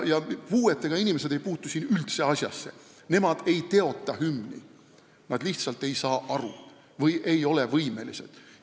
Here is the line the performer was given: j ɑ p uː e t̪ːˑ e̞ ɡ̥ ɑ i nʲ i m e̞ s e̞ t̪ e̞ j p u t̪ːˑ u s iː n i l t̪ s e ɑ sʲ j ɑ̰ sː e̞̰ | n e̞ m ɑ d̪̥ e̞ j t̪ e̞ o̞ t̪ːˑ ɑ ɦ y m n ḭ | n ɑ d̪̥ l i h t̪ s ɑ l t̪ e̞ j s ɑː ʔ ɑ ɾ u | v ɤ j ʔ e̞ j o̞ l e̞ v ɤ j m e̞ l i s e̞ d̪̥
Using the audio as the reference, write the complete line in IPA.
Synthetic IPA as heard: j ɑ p uː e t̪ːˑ e̞ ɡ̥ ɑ i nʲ i m e̞ s e̞ d̪ e̞ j p uː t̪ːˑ u s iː n y l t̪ s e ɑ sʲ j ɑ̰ sː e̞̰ | n e̞ m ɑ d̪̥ e̞ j t̪ e̞ o̞ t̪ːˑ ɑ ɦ y m n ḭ | n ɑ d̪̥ l i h t̪ s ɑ l t̪ e̞ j s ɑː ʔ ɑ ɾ u | v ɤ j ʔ e̞ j o̞ l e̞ v ɤ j m e̞ l i s e̞ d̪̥

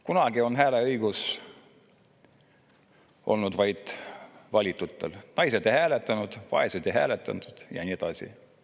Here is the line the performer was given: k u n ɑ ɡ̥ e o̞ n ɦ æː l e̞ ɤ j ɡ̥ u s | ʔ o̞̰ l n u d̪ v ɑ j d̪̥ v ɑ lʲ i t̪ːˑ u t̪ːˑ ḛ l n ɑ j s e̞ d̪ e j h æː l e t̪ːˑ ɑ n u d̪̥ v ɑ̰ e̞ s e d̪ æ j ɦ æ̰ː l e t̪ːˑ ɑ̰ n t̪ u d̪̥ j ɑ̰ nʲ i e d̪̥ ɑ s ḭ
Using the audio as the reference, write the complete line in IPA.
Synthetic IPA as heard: k u n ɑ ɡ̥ i o̞ n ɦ æː l e̞ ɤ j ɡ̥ u s | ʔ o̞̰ l n u d̪ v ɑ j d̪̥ v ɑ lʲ i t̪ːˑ u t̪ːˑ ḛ l n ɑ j s e̞ d̪ e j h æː l e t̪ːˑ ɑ n u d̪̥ v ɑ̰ e̞ s e d̪ e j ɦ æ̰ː l e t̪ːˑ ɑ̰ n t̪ u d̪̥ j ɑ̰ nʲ i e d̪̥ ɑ s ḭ

